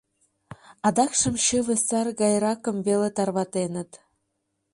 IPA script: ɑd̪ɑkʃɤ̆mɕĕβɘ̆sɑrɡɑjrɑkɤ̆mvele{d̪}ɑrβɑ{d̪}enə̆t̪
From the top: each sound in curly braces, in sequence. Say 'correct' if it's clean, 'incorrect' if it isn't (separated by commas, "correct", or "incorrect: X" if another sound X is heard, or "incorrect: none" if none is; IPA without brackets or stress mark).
incorrect: t̪, incorrect: t̪